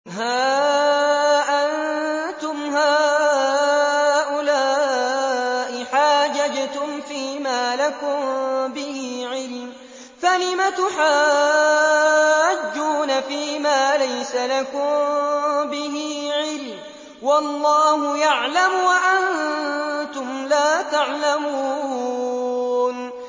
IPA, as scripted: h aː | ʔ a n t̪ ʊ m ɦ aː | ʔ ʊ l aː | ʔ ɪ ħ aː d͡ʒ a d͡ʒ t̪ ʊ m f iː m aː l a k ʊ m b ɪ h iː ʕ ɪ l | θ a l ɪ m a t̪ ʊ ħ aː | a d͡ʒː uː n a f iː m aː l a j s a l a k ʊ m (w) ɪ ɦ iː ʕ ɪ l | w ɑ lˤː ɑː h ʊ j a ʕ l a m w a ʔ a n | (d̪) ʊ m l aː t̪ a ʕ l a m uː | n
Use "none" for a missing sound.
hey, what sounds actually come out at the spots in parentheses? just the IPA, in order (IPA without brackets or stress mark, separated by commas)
b, t̪